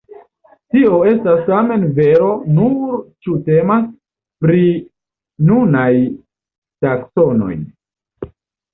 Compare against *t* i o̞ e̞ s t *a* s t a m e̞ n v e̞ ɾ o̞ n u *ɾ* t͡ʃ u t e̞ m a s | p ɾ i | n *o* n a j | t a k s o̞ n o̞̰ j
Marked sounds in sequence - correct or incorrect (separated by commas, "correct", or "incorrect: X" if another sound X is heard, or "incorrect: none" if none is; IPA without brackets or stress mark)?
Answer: correct, correct, correct, incorrect: u